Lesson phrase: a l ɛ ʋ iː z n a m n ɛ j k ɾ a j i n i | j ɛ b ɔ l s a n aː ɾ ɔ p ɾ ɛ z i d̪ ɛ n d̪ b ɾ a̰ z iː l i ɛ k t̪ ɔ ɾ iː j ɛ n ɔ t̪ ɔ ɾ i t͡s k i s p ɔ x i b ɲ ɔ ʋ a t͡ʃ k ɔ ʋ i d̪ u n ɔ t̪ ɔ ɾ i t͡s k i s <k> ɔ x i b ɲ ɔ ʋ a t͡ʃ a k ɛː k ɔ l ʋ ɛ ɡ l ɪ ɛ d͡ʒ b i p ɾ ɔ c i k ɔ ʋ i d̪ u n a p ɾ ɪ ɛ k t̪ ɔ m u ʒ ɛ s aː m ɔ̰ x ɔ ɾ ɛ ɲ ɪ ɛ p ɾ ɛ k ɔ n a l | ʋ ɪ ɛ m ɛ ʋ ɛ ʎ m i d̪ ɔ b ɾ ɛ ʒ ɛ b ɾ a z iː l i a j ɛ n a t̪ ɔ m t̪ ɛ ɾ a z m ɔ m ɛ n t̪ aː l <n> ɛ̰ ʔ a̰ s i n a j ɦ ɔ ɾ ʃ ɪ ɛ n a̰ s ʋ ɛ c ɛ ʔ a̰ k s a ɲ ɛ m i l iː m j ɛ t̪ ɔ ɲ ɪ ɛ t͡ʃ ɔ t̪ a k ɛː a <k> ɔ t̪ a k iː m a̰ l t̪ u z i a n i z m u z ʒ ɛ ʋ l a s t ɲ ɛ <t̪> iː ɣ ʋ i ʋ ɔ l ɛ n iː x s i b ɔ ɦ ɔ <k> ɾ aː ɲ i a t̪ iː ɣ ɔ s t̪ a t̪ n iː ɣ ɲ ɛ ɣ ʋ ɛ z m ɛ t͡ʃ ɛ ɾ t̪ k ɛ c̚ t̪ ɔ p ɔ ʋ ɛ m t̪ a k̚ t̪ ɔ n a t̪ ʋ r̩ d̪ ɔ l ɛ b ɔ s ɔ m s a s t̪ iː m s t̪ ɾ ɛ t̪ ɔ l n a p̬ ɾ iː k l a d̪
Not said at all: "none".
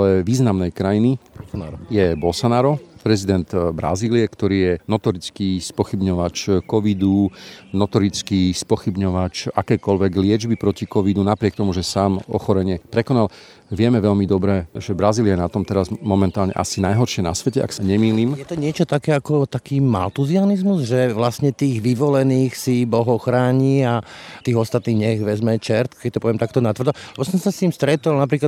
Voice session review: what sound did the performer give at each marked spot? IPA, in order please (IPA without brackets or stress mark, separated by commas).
p, ɲ, k, t̪, x